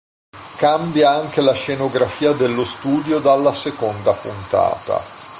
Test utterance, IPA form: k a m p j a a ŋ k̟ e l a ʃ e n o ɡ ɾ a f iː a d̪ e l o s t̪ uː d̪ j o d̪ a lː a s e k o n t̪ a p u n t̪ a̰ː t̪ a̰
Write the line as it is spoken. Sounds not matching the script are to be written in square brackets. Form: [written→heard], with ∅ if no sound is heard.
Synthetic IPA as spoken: k a m [p→b] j a a ŋ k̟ e l a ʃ e n o ɡ ɾ a f iː a d̪ e [l→lː] o s t̪ uː d̪ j o d̪ a lː a s e k o n [t̪→d̪] a p u n t̪ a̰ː t̪ a̰